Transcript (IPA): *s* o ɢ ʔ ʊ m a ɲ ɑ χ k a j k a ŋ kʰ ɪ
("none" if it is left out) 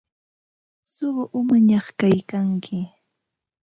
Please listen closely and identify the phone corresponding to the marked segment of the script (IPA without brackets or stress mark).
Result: s